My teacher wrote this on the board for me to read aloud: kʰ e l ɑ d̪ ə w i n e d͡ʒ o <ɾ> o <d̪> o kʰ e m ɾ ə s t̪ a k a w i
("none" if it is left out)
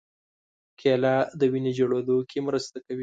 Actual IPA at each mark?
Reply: ɽ, d̪

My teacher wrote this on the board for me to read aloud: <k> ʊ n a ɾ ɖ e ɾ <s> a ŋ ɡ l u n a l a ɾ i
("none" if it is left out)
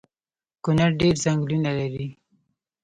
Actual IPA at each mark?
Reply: k, z

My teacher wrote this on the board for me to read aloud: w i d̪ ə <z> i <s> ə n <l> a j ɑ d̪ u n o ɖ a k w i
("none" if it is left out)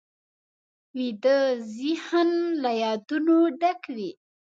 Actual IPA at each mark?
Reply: z, h, l

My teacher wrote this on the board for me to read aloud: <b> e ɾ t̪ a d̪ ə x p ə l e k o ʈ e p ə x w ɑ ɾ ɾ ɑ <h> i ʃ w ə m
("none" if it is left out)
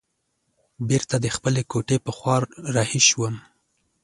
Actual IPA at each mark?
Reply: b, h

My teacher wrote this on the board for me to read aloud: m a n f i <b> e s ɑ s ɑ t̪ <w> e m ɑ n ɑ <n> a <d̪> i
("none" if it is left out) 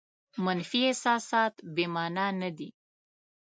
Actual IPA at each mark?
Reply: none, b, n, d̪

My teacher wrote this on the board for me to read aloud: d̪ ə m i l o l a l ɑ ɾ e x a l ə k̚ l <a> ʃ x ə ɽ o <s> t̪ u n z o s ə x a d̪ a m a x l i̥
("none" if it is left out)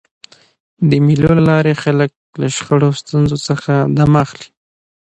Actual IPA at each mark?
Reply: a, s

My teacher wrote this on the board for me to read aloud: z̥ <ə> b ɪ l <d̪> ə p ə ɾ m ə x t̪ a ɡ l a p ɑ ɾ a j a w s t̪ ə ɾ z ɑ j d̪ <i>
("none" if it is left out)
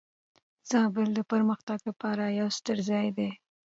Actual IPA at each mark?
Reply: ɑ, d̪, e

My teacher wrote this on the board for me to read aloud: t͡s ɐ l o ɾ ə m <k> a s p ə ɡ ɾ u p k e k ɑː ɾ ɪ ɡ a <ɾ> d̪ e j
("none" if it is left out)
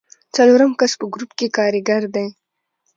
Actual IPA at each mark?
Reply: k, ɾ

